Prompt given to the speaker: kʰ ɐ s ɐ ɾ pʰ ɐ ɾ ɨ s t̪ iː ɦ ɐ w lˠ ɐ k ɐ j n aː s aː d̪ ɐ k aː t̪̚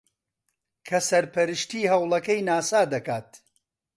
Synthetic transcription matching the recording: kʰ ɐ s ɐ ɾ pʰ ɐ ɾ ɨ ʃ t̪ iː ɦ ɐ w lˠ ɐ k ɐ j n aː s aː d̪ ɐ k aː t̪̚